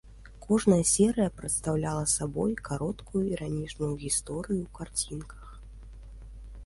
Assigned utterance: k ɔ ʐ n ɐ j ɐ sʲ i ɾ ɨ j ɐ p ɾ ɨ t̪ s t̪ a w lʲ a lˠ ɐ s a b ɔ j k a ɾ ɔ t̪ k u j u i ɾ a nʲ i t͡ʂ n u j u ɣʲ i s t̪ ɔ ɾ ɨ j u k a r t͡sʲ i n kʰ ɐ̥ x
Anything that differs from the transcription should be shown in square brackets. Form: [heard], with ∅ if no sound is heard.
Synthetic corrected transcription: k ɔ ʐ n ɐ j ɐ sʲ [ɛ] ɾ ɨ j ɐ p ɾ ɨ t̪ s t̪ a w lʲ a lˠ ɐ s a b ɔ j k a ɾ ɔ t̪ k u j u i ɾ a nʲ i t͡ʂ n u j u ɣʲ i s t̪ ɔ ɾ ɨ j u k a r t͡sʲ i n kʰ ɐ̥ x

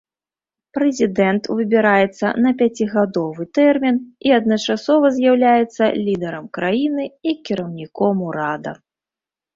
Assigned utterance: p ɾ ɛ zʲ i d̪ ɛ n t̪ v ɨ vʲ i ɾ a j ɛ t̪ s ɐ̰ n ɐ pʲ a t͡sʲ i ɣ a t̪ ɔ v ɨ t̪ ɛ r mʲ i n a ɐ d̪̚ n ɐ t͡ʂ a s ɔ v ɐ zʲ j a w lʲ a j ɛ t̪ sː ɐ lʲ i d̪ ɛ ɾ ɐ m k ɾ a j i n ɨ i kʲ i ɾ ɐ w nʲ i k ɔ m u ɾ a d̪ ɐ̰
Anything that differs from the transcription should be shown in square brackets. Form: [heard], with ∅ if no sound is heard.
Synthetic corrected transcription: p ɾ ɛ zʲ i d̪ ɛ n t̪ v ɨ [bʲ] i ɾ a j ɛ t̪ [sː] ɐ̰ n ɐ pʲ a t͡sʲ i ɣ a [d̪] ɔ v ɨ t̪ ɛ r mʲ i n [i] ɐ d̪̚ n ɐ t͡ʂ a s ɔ v ɐ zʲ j a w lʲ a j ɛ t̪ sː ɐ lʲ i d̪ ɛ ɾ ɐ m k ɾ a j i n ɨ i kʲ i ɾ ɐ w nʲ i k ɔ m u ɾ a d̪ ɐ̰

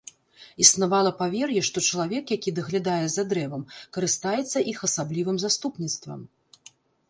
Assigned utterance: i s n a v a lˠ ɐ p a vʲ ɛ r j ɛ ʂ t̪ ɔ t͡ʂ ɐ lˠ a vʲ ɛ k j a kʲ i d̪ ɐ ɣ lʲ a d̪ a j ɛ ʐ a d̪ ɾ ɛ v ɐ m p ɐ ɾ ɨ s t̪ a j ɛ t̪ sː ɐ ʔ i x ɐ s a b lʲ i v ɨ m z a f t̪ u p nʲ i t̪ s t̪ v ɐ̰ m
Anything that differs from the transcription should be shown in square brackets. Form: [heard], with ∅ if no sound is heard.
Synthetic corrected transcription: i s n a v a lˠ ɐ p a vʲ ɛ r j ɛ ʂ t̪ ɔ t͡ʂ ɐ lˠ a vʲ ɛ k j a kʲ i d̪ ɐ ɣ lʲ a d̪ a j ɛ [z] a d̪ ɾ ɛ v ɐ m [k] ɐ ɾ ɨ s t̪ a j ɛ t̪ sː ɐ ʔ i x ɐ s a b lʲ i v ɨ m z a [s] t̪ u p nʲ i t̪ s t̪ v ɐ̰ m

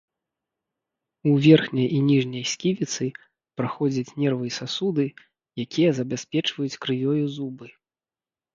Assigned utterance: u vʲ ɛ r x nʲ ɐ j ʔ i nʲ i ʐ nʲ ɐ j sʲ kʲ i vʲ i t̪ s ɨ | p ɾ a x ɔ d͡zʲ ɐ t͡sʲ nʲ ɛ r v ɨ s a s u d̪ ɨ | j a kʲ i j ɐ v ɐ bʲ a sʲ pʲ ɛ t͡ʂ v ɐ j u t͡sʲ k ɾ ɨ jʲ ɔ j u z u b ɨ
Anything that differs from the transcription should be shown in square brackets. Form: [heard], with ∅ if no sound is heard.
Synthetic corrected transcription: u vʲ ɛ r x nʲ ɐ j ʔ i nʲ i ʐ nʲ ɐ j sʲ kʲ i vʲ i t̪ s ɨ | p ɾ a x ɔ d͡zʲ ɐ t͡sʲ nʲ ɛ r v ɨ s a s u d̪ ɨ | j a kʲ i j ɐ [z] ɐ bʲ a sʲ pʲ ɛ t͡ʂ v ɐ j u t͡sʲ k ɾ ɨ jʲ ɔ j u z u b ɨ

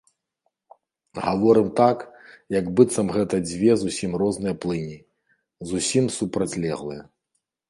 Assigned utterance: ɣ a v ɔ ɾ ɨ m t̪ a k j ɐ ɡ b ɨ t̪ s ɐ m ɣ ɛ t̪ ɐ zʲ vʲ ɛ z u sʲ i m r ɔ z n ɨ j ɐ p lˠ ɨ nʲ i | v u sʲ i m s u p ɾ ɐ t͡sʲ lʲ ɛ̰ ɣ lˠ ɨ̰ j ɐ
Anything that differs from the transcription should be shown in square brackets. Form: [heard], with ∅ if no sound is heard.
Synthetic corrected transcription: ɣ a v ɔ ɾ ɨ m t̪ a k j ɐ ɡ b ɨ t̪ s ɐ m ɣ ɛ t̪ ɐ [d͡zʲ] vʲ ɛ z u sʲ i m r ɔ z n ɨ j ɐ p lˠ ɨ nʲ i | [z] u sʲ i m s u p ɾ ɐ t͡sʲ lʲ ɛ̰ ɣ lˠ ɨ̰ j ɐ

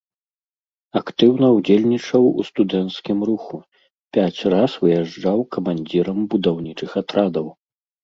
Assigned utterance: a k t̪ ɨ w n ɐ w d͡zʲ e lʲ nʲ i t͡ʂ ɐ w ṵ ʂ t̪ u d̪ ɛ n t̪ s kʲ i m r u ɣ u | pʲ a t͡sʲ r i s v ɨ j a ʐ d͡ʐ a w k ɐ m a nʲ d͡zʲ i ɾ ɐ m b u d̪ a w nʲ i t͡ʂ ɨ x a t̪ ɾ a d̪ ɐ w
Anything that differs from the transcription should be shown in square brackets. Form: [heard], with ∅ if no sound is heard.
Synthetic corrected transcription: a k t̪ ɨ w n ɐ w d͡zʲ e lʲ nʲ i t͡ʂ ɐ w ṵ [s] t̪ u d̪ ɛ n t̪ s kʲ i m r u [x] u | pʲ a t͡sʲ r [a] s v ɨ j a ʐ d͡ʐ a w k ɐ m a nʲ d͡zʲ i ɾ ɐ m b u d̪ a w nʲ i t͡ʂ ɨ x a t̪ ɾ a d̪ ɐ w

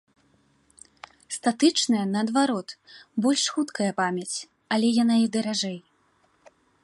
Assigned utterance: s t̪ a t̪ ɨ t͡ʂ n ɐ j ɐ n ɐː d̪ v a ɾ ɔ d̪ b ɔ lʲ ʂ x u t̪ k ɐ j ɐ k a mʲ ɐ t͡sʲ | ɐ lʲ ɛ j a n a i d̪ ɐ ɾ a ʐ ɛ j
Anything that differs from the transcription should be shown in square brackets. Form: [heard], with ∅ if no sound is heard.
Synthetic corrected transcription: s t̪ a t̪ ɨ t͡ʂ n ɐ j ɐ n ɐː d̪ v a ɾ ɔ [t̪] b ɔ lʲ ʂ x u t̪ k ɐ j ɐ [p] a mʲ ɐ t͡sʲ | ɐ lʲ ɛ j a n a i d̪ ɐ ɾ a ʐ ɛ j

